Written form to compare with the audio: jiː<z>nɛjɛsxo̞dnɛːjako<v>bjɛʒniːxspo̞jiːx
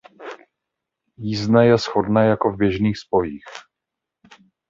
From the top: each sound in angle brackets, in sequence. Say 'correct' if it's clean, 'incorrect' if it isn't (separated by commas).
correct, correct